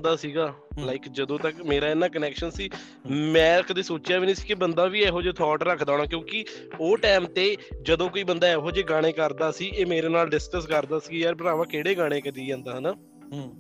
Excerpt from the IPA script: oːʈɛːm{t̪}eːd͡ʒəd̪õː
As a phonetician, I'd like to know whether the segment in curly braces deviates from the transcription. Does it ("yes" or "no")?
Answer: no